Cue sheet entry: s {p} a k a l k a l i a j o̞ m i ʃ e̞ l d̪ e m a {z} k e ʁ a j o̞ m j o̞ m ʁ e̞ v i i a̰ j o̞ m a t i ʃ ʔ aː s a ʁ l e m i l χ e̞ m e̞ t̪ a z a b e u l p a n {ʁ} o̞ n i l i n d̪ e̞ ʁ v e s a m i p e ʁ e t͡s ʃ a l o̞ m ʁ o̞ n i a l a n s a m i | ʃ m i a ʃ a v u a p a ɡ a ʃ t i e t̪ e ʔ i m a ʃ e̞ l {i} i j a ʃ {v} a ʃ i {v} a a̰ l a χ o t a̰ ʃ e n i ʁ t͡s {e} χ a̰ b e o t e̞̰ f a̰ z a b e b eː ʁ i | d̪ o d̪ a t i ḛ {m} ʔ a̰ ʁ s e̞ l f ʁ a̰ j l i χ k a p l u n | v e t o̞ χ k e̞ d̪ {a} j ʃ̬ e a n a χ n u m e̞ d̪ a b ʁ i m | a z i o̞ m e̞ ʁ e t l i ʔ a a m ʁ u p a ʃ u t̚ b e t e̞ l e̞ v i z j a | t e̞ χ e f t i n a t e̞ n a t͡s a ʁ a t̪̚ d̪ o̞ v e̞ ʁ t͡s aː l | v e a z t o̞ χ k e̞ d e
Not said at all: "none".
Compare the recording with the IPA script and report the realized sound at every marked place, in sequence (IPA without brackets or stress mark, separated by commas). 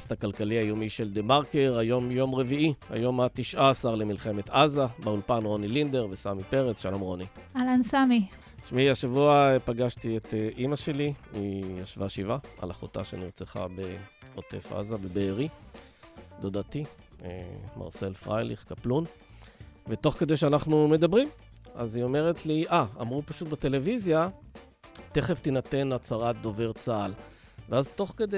t, ʁ, ʁ, i, v, v, e, m, e